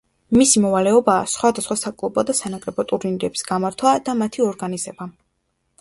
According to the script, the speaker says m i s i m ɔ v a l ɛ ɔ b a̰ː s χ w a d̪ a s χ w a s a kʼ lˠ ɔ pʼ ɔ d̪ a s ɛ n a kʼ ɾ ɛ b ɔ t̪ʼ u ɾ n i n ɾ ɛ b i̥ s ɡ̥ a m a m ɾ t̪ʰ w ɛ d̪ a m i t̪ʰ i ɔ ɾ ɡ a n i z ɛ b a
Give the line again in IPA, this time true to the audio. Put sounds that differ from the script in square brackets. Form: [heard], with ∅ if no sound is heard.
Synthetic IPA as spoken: m i s i m ɔ v a l ɛ ɔ b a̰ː s χ w a d̪ a s χ w a s a kʼ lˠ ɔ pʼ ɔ d̪ a s [a] n a kʼ ɾ ɛ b ɔ t̪ʼ u ɾ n i n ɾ ɛ b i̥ s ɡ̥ a m a [∅] ɾ t̪ʰ w [a] d̪ a m [a] t̪ʰ i ɔ ɾ ɡ a n i z ɛ b a

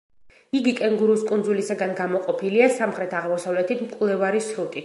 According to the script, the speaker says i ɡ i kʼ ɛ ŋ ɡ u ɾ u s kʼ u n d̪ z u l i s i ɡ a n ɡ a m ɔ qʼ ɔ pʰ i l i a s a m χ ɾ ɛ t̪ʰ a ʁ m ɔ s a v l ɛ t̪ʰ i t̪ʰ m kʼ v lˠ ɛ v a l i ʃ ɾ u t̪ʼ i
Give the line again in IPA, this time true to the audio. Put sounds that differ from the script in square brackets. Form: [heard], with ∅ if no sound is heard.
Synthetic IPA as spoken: i ɡ i kʼ ɛ ŋ ɡ u ɾ u s kʼ u n d̪ z u l i s [a] ɡ a n ɡ a m ɔ qʼ ɔ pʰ i l i a s a m χ ɾ ɛ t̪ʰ a ʁ m ɔ s a v l ɛ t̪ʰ i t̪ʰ m kʼ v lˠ ɛ v a [ɾ] i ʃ ɾ u t̪ʼ i

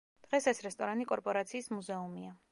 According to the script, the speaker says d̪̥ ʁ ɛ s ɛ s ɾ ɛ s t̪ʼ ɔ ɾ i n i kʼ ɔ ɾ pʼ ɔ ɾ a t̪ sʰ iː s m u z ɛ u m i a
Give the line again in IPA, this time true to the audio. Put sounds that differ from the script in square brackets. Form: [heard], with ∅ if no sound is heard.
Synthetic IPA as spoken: d̪̥ ʁ ɛ s ɛ s ɾ ɛ s t̪ʼ ɔ ɾ [a] n i kʼ ɔ ɾ pʼ ɔ ɾ a t̪ sʰ iː s m u z ɛ u m i a

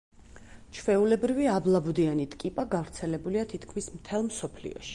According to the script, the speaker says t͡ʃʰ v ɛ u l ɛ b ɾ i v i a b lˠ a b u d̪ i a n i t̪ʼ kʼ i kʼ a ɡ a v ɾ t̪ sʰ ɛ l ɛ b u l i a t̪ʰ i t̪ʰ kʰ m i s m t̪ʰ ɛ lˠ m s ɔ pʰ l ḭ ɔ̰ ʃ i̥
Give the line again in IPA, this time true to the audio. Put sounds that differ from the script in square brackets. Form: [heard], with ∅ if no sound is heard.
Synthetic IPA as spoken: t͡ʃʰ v ɛ u l ɛ b ɾ i v i a b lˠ a b u d̪ i a n i t̪ʼ kʼ i [pʼ] a ɡ a v ɾ t̪ sʰ ɛ l ɛ b u l i a t̪ʰ i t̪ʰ kʰ m i s m t̪ʰ ɛ lˠ m s ɔ pʰ l ḭ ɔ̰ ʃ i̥

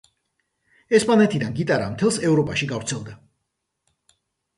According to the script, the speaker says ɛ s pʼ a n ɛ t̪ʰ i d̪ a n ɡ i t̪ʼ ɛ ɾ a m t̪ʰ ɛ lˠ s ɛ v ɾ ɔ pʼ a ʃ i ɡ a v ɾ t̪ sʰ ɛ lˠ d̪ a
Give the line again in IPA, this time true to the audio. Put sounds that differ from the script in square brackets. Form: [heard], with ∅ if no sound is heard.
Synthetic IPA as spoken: ɛ s pʼ a n ɛ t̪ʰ i d̪ a n ɡ i t̪ʼ [a] ɾ a m t̪ʰ ɛ lˠ s ɛ v ɾ ɔ pʼ a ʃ i ɡ a v ɾ t̪ sʰ ɛ lˠ d̪ a

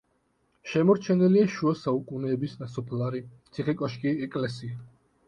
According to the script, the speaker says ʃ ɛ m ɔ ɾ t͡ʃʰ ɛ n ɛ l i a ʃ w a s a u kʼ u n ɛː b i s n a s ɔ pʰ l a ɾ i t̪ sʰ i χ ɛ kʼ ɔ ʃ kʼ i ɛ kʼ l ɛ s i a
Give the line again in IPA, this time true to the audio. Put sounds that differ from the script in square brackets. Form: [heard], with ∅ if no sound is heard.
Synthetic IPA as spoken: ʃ ɛ m ɔ ɾ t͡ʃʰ ɛ n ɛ l i a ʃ [u] a s a u kʼ u n ɛː b i s n a s ɔ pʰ l a ɾ i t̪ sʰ i χ ɛ kʼ ɔ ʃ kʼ i ɛ kʼ l ɛ s i a

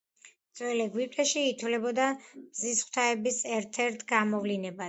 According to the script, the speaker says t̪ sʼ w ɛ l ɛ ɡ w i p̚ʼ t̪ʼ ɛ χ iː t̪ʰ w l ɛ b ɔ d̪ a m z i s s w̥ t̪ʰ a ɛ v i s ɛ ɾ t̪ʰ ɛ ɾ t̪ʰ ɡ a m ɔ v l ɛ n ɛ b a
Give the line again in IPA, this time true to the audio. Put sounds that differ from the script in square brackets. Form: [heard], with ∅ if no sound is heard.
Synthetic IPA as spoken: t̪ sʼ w ɛ l ɛ ɡ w i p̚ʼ t̪ʼ ɛ [ʃ] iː t̪ʰ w l ɛ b ɔ d̪ a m z i s [χ] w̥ t̪ʰ a ɛ [b] i s ɛ ɾ t̪ʰ ɛ ɾ t̪ʰ ɡ a m ɔ v l [i] n ɛ b a

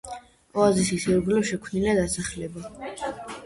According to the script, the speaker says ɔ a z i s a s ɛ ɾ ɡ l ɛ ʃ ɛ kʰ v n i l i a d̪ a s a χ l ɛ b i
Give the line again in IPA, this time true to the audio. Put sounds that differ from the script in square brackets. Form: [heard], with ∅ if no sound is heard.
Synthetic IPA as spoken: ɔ a z i s [i] s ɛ ɾ ɡ l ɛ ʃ ɛ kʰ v n i l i a d̪ a s a χ l ɛ b [a]

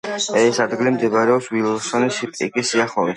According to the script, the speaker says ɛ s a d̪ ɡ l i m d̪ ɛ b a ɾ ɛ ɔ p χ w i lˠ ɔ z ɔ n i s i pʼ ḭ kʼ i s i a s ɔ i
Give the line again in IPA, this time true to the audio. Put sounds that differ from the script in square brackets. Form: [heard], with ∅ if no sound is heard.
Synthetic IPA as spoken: ɛ s a d̪ ɡ l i m d̪ ɛ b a ɾ ɛ ɔ p [s] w i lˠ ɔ [s] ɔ n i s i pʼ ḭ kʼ i s i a [χ] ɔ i

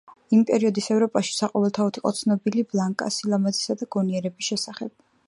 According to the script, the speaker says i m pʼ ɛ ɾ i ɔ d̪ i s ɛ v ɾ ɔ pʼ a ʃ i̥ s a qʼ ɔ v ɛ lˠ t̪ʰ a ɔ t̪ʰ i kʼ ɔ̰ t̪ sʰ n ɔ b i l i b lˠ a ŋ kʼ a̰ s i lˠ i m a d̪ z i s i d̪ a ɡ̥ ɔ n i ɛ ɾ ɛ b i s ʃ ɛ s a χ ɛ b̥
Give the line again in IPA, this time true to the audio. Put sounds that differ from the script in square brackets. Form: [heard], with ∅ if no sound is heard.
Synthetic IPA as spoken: i m pʼ ɛ ɾ i ɔ d̪ i s ɛ v ɾ ɔ pʼ a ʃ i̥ s a qʼ ɔ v ɛ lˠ t̪ʰ a ɔ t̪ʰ i [qʼ] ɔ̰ t̪ sʰ n ɔ b i l i b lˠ a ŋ kʼ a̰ s i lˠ [a] m a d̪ z i s [a] d̪ a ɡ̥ ɔ n i ɛ ɾ ɛ b i s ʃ ɛ s a χ ɛ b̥

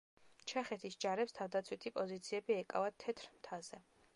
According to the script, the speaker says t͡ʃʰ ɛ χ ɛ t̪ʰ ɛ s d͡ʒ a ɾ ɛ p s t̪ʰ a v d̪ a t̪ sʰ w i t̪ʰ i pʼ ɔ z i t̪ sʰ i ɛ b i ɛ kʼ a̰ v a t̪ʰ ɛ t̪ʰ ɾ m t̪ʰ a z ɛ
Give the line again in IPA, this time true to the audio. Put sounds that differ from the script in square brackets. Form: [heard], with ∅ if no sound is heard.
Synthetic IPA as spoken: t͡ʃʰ ɛ χ ɛ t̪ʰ [i] s d͡ʒ a ɾ ɛ p s t̪ʰ a v d̪ a t̪ sʰ w i t̪ʰ i pʼ ɔ z i t̪ sʰ i ɛ b i ɛ kʼ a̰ v a t̪ʰ ɛ t̪ʰ ɾ m t̪ʰ a z ɛ

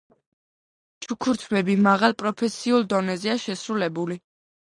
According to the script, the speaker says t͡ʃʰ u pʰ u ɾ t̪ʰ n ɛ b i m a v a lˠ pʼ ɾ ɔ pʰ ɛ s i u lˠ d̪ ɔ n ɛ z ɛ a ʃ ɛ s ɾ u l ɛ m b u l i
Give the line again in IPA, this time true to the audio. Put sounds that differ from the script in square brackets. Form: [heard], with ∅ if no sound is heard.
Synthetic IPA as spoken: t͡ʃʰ u [kʰ] u ɾ t̪ʰ [m] ɛ b i m a [ʁ] a lˠ pʼ ɾ ɔ pʰ ɛ s i u lˠ d̪ ɔ n ɛ z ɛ a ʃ ɛ s ɾ u l ɛ [∅] b u l i

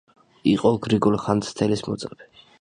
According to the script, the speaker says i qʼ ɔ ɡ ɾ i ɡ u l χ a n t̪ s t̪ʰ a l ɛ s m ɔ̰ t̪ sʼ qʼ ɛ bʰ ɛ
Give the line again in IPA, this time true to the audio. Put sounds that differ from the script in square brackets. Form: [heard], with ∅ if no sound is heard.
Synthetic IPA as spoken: i qʼ ɔ ɡ ɾ i ɡ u l χ a n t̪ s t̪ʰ [ɛ] l [i] s m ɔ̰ t̪ sʼ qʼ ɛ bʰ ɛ

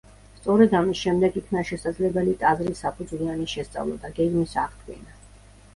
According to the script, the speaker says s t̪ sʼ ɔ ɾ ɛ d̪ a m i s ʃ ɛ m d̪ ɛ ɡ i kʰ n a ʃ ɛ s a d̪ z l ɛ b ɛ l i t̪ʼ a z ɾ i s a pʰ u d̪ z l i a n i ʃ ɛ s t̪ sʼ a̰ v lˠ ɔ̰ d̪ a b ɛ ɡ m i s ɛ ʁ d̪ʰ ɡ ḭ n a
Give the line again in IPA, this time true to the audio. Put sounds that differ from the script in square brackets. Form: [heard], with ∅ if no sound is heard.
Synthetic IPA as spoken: s t̪ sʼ ɔ ɾ ɛ d̪ a m i s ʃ ɛ m d̪ ɛ ɡ i kʰ n a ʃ ɛ s a d̪ z l ɛ b ɛ l i t̪ʼ a z ɾ i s a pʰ u d̪ z l i a n i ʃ ɛ s t̪ sʼ a̰ v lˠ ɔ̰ d̪ a [ɡ] ɛ ɡ m i s [a] ʁ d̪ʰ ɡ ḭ n a

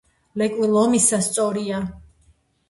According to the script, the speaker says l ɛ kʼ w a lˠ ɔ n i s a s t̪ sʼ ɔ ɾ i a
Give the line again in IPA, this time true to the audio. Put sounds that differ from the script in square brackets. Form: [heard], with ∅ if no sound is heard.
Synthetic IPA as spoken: l ɛ kʼ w [i] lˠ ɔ [m] i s a s t̪ sʼ ɔ ɾ i a

